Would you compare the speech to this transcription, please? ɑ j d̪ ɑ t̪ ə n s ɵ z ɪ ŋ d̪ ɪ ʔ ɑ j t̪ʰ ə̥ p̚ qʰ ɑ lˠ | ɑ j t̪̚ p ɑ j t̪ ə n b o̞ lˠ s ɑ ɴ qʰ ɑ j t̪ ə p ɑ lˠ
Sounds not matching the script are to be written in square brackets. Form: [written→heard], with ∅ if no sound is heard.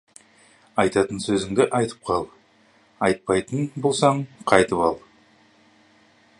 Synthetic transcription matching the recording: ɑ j [d̪→t̪] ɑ t̪ ə n s ɵ z ɪ ŋ d̪ ɪ ʔ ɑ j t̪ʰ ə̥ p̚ qʰ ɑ lˠ | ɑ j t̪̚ p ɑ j t̪ ə n b o̞ lˠ s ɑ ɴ qʰ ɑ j t̪ ə p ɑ lˠ